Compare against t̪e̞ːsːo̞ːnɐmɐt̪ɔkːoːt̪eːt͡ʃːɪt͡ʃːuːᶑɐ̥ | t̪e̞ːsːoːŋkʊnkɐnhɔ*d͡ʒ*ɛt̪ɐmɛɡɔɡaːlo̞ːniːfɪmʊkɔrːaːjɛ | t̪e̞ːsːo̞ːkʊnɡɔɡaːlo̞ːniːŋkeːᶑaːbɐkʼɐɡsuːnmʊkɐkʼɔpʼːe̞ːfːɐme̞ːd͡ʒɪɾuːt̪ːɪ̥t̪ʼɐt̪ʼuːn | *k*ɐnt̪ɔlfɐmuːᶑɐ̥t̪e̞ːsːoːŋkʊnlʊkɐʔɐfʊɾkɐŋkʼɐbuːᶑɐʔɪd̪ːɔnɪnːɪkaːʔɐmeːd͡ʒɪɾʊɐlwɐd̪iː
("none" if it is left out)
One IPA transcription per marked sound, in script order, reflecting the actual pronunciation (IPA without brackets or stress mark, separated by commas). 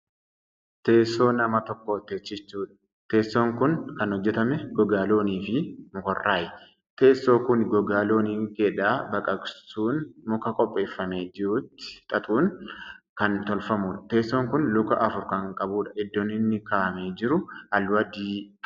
d͡ʒː, k